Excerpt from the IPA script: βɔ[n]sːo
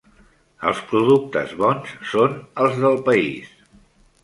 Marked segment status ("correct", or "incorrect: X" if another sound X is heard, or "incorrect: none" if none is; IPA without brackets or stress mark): correct